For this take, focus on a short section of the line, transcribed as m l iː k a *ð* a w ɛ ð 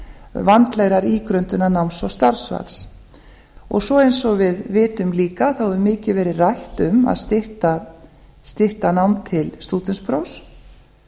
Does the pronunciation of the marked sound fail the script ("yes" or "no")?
yes